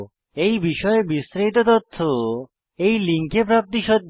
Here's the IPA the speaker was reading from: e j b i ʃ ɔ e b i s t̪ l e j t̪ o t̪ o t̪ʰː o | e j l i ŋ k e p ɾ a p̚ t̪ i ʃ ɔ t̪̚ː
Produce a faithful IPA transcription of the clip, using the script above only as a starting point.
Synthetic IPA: e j b i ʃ ɔ e b i s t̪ ɾ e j t̪ o t̪ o t̪ʰː o | e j l i ŋ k e p ɾ a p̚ t̪ i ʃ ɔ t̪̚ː